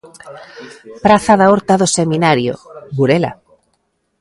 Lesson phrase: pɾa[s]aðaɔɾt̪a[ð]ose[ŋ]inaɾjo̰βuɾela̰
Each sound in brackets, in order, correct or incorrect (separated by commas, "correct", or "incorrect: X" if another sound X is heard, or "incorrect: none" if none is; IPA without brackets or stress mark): incorrect: θ, correct, incorrect: m